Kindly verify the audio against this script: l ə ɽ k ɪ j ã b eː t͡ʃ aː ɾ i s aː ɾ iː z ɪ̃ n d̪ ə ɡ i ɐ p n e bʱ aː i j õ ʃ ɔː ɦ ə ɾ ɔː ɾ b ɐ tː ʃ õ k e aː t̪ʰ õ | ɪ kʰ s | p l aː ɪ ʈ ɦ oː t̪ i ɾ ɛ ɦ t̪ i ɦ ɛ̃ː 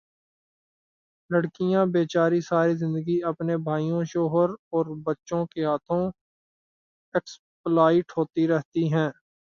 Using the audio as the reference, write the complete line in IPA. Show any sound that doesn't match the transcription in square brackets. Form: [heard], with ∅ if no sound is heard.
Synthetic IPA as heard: l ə ɽ k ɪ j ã b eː t͡ʃ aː ɾ i s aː ɾ [i] z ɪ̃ n d̪ ə ɡ i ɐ p n e bʱ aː i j õ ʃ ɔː ɦ ə ɾ ɔː ɾ b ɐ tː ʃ õ k e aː t̪ʰ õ | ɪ [k] s | p l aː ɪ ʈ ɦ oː t̪ i ɾ ɛ ɦ t̪ i ɦ ɛ̃ː

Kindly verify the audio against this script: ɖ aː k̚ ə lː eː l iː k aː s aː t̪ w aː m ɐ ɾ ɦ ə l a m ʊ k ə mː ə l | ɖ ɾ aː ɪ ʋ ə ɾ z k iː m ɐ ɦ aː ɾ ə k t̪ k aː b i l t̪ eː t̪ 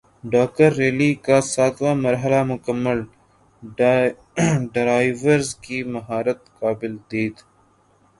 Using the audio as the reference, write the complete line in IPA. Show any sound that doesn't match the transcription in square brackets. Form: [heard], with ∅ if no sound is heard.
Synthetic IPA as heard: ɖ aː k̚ ə [ɾː] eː l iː k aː s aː t̪ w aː m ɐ ɾ ɦ ə l a m ʊ k ə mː ə l | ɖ ɾ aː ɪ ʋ ə ɾ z k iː m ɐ ɦ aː ɾ ə [∅] t̪ k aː b [ɪ] l [d̪] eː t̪

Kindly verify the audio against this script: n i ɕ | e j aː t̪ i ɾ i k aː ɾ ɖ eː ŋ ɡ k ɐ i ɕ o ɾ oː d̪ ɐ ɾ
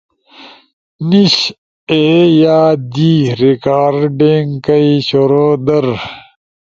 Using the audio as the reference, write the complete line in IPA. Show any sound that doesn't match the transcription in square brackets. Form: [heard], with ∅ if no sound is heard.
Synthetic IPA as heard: n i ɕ | e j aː [d̪] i ɾ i k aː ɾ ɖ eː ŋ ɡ k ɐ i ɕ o ɾ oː d̪ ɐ ɾ

